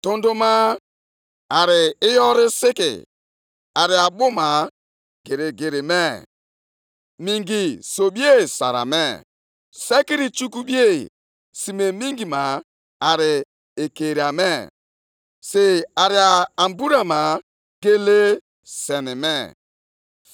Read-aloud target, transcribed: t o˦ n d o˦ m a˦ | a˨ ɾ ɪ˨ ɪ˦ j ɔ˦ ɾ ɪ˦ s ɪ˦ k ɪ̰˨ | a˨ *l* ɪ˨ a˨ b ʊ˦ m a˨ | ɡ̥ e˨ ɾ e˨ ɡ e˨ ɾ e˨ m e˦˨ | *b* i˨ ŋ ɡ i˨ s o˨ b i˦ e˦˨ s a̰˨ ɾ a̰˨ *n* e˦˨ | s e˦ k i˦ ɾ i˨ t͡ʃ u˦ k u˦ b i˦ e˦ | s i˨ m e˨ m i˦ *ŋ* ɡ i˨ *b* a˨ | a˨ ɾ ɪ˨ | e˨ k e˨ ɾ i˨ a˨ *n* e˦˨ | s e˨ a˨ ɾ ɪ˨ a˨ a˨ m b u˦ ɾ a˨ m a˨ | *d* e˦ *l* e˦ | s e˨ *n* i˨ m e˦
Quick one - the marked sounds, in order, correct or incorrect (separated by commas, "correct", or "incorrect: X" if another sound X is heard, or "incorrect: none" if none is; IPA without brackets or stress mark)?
incorrect: ɾ, incorrect: m, incorrect: m, correct, incorrect: m, incorrect: m, incorrect: ɡ, correct, correct